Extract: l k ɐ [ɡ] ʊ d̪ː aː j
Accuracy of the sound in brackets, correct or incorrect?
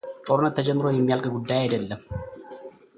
correct